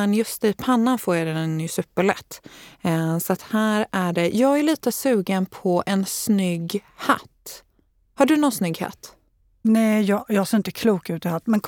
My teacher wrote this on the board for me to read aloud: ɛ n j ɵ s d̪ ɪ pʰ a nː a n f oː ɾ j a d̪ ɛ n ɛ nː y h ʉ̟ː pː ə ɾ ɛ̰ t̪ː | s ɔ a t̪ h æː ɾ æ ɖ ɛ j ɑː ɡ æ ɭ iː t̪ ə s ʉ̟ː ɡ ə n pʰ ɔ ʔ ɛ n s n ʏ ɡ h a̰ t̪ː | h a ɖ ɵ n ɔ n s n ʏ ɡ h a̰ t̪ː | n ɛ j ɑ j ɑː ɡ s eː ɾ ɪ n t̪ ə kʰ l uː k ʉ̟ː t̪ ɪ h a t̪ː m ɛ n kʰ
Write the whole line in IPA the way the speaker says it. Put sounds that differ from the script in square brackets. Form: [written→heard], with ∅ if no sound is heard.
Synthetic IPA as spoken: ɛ n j ɵ s [d̪→t̪] ɪ pʰ a nː a n f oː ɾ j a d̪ ɛ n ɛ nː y [h→s] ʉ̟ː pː ə [ɾ→ɭ] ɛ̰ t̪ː | s ɔ a t̪ h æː ɾ æ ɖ ɛ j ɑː ɡ æ ɭ iː t̪ ə s ʉ̟ː ɡ ə n pʰ ɔ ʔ ɛ n s n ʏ ɡ h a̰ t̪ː | h a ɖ ɵ n ɔ n s n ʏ ɡ h a̰ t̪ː | n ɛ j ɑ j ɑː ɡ s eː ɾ ɪ n t̪ ə kʰ l uː k ʉ̟ː t̪ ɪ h a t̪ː m ɛ n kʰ